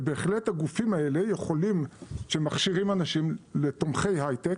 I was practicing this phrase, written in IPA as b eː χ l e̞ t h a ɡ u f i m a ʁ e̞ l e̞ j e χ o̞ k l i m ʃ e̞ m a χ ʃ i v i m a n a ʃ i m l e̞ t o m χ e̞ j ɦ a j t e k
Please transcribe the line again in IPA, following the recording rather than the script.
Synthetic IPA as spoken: b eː χ l e̞ t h a ɡ u f i m a e̞ l e̞ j e χ o̞ l i m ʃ e̞ m a χ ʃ i ʁ i m a n a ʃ i m l e̞ t o m χ e̞ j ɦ a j t e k